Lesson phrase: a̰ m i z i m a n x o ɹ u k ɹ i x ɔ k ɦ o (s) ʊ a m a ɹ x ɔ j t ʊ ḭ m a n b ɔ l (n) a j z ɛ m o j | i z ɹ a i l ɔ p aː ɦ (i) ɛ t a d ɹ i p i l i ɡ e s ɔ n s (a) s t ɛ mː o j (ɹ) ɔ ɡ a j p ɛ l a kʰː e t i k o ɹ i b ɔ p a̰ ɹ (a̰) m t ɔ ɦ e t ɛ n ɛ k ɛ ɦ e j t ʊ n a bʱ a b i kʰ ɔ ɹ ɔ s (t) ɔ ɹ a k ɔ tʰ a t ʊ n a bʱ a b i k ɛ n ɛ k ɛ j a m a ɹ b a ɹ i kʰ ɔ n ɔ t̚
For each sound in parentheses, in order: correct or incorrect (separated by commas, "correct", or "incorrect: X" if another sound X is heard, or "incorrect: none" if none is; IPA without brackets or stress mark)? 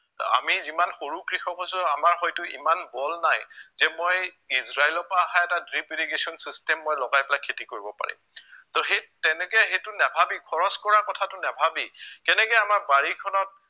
correct, correct, incorrect: a, incorrect: i, incorrect: l, incorrect: ḭ, incorrect: k